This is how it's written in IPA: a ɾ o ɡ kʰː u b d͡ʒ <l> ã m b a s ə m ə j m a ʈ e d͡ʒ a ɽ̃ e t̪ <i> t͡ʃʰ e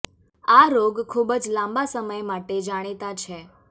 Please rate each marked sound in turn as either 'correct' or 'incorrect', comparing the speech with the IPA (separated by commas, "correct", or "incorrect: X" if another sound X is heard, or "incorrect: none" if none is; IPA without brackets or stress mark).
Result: correct, incorrect: a